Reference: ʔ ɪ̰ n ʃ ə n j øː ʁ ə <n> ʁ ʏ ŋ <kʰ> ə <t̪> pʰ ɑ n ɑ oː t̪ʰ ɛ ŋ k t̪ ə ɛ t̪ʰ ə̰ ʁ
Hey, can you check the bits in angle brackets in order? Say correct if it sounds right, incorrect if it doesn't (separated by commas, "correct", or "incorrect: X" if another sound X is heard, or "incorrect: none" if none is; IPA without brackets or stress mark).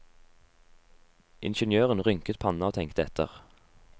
correct, incorrect: k, correct